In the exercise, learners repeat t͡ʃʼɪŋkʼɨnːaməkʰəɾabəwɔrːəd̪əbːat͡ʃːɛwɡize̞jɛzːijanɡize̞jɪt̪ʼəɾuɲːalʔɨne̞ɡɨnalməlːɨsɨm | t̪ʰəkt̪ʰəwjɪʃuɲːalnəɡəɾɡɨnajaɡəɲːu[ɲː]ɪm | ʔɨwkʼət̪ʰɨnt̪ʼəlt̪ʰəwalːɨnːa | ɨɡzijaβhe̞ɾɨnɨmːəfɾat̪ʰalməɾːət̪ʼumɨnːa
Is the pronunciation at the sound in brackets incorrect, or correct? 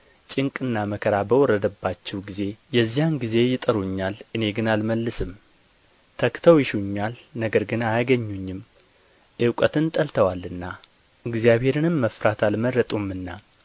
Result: correct